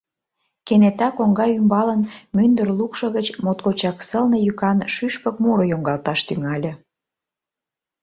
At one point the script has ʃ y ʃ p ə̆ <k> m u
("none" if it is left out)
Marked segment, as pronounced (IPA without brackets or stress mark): k